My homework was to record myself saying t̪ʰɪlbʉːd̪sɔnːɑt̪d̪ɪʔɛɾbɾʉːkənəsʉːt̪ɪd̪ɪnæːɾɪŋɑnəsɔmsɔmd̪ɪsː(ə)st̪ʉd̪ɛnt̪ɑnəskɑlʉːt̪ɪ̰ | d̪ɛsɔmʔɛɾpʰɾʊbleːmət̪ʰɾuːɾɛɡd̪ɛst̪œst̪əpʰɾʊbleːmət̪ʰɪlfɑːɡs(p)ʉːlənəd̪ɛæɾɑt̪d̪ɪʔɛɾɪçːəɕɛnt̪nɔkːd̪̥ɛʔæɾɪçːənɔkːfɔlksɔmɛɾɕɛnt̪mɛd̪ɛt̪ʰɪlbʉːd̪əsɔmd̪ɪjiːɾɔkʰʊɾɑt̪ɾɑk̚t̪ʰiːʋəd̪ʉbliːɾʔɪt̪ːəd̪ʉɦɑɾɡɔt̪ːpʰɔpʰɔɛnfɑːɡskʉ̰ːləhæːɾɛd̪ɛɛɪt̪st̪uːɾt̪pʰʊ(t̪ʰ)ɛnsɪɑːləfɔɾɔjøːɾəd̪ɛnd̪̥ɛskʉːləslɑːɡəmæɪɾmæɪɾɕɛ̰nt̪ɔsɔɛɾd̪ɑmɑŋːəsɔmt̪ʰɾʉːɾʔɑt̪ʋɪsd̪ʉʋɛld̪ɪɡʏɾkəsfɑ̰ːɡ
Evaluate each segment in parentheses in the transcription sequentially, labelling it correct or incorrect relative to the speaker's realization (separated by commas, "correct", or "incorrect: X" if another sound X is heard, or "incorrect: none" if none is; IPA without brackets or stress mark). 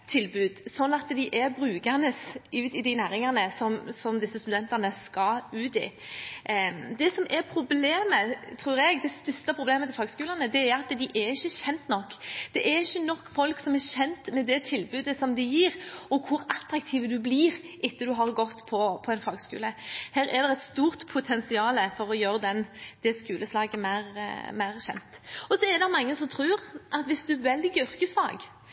correct, incorrect: k, correct